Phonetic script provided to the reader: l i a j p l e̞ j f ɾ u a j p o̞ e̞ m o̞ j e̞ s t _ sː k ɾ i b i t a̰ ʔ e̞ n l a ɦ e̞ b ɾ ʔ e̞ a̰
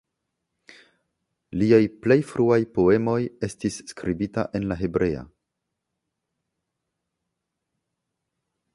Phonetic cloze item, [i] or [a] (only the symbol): i